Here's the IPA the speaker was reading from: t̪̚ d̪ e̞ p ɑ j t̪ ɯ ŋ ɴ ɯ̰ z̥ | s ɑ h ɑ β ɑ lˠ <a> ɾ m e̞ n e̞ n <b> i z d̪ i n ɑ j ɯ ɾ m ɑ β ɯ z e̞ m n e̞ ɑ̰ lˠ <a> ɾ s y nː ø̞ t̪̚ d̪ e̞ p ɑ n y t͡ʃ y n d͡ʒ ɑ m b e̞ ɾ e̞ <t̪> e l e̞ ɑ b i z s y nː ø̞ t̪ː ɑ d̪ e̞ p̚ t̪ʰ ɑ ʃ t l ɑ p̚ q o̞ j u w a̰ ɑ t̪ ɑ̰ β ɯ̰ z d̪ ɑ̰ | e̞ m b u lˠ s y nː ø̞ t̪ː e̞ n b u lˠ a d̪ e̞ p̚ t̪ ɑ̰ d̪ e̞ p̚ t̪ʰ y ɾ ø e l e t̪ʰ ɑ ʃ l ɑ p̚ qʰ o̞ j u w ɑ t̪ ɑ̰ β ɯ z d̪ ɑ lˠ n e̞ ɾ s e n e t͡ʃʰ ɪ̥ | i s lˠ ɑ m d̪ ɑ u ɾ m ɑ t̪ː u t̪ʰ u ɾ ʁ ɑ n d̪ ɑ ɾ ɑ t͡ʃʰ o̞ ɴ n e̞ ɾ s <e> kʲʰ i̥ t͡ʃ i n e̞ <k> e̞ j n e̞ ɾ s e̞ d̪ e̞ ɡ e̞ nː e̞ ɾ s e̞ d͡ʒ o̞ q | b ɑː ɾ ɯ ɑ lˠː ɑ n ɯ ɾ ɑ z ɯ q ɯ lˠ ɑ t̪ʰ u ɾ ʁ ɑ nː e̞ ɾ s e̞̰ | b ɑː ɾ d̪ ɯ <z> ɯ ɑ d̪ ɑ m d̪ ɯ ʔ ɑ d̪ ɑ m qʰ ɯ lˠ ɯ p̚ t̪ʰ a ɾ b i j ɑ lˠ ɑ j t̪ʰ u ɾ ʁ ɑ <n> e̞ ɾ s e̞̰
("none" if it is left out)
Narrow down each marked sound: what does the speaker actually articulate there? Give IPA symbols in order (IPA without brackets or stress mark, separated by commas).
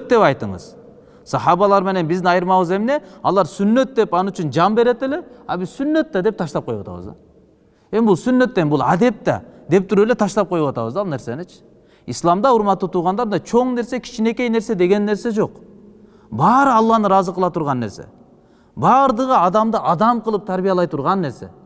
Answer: ɑ, b, ɑ, t̪, e, k, ʁ, nː